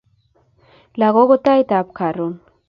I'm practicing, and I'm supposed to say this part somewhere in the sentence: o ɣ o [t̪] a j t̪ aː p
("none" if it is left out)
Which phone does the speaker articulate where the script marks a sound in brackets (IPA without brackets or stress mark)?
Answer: t̪